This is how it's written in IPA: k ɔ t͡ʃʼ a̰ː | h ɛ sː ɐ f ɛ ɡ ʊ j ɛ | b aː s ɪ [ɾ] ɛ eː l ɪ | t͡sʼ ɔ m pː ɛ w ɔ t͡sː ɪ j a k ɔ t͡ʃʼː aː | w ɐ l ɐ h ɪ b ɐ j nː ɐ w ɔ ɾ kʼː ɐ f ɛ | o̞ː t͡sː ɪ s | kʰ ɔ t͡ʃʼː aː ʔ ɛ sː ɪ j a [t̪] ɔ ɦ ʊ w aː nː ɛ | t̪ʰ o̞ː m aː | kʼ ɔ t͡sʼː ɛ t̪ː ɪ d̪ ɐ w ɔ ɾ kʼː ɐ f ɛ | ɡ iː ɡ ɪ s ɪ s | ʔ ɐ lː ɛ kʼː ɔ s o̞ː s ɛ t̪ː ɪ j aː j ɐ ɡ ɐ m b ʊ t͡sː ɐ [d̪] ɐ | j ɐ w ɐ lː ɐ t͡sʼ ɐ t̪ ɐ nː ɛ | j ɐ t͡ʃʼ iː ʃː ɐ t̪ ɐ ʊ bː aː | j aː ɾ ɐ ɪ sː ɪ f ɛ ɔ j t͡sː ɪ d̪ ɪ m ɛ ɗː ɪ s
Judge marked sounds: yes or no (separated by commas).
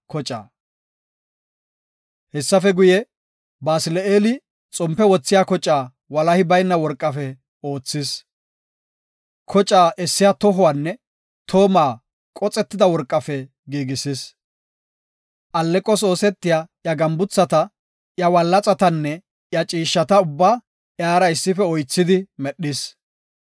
no, yes, no